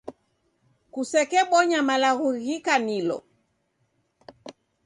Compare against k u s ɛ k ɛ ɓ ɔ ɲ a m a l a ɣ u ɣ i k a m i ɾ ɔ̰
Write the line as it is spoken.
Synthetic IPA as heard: k u s ɛ k ɛ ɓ ɔ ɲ a m a l a ɣ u ɣ i k a n i l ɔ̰